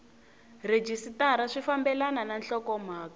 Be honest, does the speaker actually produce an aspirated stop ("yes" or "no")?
no